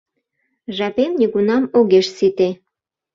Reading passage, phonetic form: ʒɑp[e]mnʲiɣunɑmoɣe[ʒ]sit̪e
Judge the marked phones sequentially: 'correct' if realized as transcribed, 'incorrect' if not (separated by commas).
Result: correct, incorrect